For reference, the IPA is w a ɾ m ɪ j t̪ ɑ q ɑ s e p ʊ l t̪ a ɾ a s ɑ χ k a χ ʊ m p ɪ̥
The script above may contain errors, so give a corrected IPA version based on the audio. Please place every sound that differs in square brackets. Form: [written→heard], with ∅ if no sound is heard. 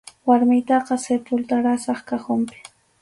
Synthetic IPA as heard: w a ɾ m ɪ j t̪ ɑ q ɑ s e p ʊ l t̪ a ɾ a s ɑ χ k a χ ʊ m p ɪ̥